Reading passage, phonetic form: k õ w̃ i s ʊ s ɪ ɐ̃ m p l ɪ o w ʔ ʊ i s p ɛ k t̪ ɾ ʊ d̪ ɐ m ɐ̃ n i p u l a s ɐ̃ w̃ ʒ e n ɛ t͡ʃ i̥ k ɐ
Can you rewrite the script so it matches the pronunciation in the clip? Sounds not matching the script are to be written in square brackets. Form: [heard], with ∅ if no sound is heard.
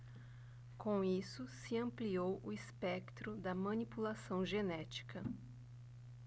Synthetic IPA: k õ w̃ i s ʊ s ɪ ɐ̃ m p l [i] o w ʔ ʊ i s p ɛ k t̪ ɾ ʊ d̪ ɐ m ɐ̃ n i p u l a s ɐ̃ w̃ ʒ e n ɛ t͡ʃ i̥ k ɐ